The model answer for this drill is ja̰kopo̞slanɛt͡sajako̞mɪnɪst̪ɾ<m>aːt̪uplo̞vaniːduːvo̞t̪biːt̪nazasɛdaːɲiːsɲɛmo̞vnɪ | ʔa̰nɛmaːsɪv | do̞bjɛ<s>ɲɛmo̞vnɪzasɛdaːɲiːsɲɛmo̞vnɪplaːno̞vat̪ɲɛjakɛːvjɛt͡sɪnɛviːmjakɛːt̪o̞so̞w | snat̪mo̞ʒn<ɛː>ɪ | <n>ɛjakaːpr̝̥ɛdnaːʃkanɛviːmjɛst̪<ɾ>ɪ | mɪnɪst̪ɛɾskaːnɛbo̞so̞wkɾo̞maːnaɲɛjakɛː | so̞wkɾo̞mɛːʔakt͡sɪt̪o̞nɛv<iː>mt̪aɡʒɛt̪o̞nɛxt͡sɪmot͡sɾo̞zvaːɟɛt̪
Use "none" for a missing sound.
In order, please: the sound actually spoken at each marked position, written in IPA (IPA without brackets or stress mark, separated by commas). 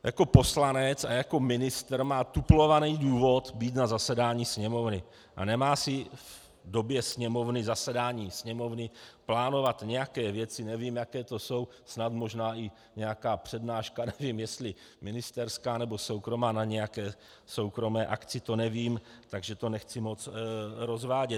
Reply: m, s, aː, ɲ, l, iː